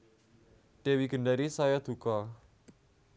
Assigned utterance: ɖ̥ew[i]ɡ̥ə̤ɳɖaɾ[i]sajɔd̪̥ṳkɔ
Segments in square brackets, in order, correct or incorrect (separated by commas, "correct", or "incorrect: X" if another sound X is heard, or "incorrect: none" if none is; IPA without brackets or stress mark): correct, correct